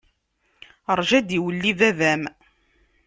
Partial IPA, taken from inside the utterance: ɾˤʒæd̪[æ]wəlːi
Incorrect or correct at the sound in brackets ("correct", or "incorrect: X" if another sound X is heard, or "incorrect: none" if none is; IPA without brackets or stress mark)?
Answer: incorrect: i